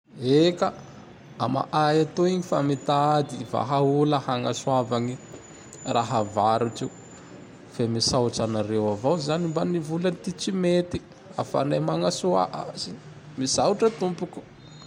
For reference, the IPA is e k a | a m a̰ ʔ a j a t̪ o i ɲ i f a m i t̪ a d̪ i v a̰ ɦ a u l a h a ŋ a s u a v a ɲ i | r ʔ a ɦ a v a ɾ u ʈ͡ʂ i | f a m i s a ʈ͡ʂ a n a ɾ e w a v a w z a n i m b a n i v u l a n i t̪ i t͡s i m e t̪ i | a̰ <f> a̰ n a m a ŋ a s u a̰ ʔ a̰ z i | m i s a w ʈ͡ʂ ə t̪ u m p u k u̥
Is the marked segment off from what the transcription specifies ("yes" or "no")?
no